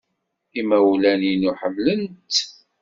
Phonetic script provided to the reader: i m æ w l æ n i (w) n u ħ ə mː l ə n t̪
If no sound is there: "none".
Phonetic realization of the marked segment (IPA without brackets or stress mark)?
none